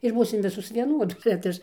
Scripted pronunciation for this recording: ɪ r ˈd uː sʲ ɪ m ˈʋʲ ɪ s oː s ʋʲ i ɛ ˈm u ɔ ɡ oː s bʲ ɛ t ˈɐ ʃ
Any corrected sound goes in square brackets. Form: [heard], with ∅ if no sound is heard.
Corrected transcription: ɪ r [ˈb] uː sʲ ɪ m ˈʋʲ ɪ s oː s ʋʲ i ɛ [ˈn] u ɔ [d] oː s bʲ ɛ t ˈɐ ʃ